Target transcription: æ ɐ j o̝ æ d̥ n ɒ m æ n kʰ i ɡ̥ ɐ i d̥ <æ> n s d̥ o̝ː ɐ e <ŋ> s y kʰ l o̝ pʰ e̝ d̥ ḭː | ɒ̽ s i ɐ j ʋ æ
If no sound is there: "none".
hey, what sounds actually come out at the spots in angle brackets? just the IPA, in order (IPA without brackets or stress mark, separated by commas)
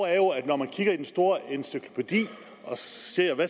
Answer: e, n